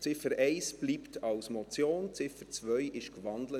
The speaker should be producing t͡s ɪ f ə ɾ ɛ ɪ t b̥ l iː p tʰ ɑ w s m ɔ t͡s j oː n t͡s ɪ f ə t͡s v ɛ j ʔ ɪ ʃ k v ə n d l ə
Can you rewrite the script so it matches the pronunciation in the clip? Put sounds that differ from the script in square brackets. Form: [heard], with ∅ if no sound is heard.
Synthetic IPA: t͡s ɪ f ə ɾ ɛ ɪ [s] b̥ l iː p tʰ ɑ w s m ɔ t͡s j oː n t͡s ɪ f ə t͡s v [œ] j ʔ ɪ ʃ k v [ɑ] n d l ə